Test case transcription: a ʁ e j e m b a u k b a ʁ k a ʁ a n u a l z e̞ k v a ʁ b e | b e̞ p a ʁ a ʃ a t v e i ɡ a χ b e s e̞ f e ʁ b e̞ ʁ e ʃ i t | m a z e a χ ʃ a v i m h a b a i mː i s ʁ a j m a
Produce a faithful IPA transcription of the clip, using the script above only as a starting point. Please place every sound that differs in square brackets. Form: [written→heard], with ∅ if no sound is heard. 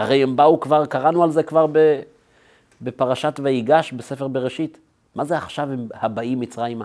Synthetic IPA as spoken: a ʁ e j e m b a u k [b→v] a ʁ k a ʁ a n u a l z e̞ k v a ʁ b e | b e̞ p a ʁ a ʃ a t v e i ɡ a [χ→ʃ] b e s e̞ f e ʁ b e̞ ʁ e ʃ i t | m a z e a χ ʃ a v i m h a b a i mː i [s→t͡s] ʁ a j m a